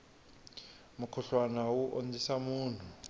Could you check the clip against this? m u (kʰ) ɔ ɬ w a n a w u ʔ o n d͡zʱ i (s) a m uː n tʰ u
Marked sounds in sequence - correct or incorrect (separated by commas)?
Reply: correct, correct